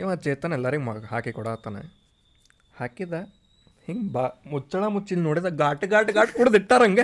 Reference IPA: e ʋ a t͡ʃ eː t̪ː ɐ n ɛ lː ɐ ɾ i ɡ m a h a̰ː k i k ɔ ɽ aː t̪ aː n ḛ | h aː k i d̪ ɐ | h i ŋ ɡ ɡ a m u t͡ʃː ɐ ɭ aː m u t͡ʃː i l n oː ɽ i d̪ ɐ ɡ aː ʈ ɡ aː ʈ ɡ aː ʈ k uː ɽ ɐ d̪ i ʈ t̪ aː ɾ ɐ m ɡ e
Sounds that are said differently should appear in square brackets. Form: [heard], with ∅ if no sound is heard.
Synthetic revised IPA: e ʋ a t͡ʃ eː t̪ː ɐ n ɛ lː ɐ ɾ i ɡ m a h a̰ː k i k ɔ ɽ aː t̪ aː n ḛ | h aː k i d̪ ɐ | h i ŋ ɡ [b] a m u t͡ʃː ɐ ɭ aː m u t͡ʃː i l n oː ɽ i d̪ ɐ ɡ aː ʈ ɡ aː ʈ ɡ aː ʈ k uː ɽ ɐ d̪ i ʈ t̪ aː ɾ ɐ [ŋ] ɡ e